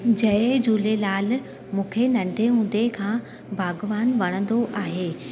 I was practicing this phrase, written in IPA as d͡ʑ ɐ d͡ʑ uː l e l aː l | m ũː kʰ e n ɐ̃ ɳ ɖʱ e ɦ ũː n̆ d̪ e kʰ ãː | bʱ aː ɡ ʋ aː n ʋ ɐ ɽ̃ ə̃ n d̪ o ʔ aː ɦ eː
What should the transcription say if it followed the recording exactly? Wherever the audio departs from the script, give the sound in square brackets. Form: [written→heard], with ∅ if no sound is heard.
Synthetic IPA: d͡ʑ ɐ d͡ʑ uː l e l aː l | m ũː kʰ e n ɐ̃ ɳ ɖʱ e ɦ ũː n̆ d̪ e kʰ ãː | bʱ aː ɡ ʋ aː n ʋ ɐ ɽ̃ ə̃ n d̪ o ʔ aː ɦ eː